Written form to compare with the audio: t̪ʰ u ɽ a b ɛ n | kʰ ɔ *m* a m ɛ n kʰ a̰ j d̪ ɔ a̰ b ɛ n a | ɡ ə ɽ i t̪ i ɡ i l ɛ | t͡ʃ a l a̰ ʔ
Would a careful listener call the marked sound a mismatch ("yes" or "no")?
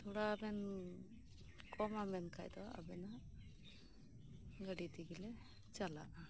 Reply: no